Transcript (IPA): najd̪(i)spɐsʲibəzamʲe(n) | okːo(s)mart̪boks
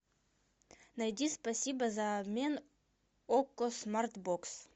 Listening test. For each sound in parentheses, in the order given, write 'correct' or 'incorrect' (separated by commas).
correct, correct, correct